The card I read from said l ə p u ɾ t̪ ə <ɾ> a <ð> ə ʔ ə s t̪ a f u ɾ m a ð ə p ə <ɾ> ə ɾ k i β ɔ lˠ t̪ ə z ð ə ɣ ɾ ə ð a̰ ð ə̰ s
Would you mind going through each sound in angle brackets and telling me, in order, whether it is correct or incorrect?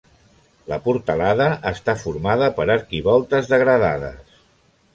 incorrect: l, correct, correct

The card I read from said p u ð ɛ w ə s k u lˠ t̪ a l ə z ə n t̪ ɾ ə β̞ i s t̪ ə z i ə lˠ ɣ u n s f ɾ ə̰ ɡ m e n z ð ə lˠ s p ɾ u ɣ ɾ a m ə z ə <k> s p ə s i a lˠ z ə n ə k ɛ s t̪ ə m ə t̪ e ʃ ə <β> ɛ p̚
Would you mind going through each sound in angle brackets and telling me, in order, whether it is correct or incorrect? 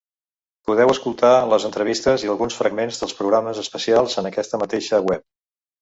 incorrect: none, incorrect: w

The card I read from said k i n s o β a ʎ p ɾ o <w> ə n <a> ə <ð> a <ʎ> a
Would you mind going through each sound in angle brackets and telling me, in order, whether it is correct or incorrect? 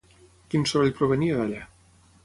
incorrect: β, incorrect: i, correct, correct

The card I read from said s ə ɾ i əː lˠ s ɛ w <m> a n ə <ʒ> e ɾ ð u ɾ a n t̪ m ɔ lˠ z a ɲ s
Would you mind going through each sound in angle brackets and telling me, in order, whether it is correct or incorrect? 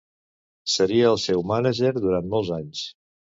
correct, correct

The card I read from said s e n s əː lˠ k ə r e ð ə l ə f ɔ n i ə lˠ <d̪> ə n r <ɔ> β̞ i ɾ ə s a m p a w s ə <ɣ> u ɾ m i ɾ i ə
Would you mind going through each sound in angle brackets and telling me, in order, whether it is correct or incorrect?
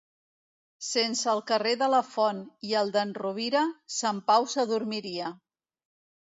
correct, incorrect: u, incorrect: ð

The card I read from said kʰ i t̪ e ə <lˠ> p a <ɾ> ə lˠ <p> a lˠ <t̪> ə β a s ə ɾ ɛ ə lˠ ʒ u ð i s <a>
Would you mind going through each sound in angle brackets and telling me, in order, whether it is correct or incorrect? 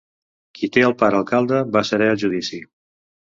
correct, correct, incorrect: k, incorrect: d̪, incorrect: i

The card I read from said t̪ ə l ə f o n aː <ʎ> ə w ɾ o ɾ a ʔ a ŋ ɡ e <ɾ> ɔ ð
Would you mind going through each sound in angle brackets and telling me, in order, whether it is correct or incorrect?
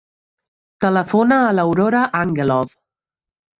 incorrect: l, incorrect: l

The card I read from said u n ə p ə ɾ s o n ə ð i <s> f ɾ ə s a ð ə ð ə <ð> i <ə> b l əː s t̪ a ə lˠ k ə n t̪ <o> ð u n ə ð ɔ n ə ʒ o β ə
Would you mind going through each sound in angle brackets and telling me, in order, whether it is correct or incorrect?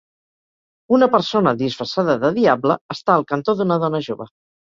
correct, correct, incorrect: a, correct

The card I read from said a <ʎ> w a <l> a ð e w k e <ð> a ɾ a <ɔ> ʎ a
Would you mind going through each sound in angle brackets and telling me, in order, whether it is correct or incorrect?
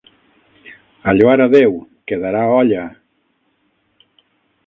correct, incorrect: ɾ, correct, correct

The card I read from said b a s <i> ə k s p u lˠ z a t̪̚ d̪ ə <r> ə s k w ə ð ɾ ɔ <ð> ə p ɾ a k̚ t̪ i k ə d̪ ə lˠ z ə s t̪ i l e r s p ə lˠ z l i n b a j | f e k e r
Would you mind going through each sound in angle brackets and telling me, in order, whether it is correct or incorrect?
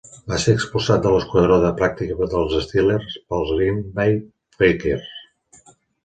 incorrect: e, incorrect: l, correct

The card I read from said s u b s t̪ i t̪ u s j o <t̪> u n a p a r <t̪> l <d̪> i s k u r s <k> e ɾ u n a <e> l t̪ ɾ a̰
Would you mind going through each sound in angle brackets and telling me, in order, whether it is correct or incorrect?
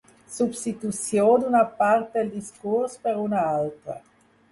incorrect: d̪, correct, correct, incorrect: p, incorrect: a

